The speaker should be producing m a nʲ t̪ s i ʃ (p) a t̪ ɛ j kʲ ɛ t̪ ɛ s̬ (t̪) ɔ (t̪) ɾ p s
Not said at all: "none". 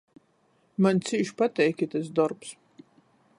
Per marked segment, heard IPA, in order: p, d̪, none

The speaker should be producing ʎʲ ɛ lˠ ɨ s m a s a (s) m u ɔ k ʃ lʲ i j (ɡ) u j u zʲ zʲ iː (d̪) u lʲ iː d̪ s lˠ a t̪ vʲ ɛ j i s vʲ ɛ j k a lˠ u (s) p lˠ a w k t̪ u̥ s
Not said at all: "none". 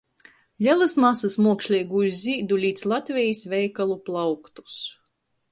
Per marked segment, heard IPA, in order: s, ɡ, d̪, none

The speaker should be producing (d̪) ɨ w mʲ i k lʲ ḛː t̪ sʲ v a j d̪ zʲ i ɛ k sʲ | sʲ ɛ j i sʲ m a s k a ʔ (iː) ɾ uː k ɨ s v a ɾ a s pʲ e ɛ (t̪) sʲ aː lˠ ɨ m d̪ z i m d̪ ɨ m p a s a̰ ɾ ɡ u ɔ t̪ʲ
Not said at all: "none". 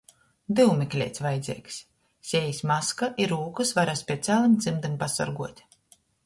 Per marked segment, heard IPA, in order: d̪, i, t̪

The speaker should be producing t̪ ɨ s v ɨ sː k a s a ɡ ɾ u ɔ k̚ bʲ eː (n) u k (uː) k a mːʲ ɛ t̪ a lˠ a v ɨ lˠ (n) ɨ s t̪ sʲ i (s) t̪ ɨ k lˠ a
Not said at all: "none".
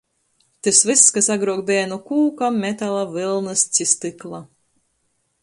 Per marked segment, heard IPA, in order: n, uː, n, s

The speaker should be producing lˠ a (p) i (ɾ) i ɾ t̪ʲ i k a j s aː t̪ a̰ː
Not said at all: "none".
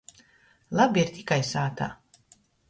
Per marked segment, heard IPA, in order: b, none

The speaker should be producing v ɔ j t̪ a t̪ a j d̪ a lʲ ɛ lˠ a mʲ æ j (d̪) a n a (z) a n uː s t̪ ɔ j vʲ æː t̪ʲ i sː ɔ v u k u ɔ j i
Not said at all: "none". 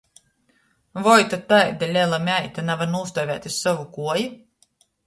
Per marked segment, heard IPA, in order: t̪, v

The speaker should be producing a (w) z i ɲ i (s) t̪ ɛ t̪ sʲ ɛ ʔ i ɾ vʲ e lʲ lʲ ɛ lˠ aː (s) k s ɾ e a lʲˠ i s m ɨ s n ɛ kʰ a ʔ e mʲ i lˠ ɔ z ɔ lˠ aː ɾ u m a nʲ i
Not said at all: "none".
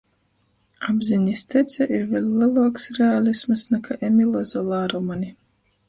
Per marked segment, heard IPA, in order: b, s, none

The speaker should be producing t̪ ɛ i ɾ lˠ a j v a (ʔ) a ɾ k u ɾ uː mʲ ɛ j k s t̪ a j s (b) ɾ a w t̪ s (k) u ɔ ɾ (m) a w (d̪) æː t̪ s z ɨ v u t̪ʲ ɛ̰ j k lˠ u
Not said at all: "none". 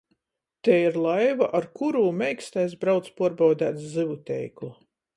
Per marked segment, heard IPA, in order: ʔ, b, p, b, d̪

